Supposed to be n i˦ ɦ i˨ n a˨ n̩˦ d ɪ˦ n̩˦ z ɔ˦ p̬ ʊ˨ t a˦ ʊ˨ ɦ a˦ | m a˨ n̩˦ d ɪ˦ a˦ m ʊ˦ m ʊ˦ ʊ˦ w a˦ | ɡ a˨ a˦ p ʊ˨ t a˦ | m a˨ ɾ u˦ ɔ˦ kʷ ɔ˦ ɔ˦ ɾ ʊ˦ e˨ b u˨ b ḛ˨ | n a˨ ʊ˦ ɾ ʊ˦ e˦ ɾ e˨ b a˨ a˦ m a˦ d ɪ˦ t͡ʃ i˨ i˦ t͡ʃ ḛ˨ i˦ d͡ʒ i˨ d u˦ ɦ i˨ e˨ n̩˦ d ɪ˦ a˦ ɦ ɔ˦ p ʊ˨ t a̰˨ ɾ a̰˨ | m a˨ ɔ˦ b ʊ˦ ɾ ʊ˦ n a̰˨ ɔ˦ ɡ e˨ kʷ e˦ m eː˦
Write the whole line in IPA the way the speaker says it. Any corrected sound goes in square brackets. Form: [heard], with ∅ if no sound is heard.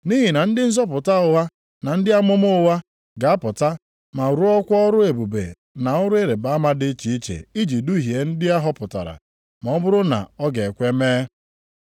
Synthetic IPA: n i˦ ɦ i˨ n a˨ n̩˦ d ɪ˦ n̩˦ z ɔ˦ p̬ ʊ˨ t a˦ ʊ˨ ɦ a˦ | [n] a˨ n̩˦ d ɪ˦ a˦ m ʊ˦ m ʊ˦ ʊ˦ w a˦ | ɡ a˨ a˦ p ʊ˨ t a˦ | m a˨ ɾ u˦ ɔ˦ kʷ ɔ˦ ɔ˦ ɾ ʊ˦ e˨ b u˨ b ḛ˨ | n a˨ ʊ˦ ɾ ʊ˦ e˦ ɾ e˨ b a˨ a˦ m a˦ d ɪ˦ t͡ʃ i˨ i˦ t͡ʃ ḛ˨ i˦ d͡ʒ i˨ d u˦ ɦ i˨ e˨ n̩˦ d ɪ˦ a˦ ɦ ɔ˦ p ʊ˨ t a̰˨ ɾ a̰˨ | m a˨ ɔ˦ b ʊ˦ ɾ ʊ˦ n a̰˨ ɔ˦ ɡ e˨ kʷ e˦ m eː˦